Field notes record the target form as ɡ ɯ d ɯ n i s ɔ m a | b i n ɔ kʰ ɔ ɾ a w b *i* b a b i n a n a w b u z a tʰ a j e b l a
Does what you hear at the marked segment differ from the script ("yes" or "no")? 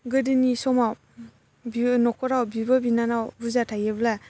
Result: no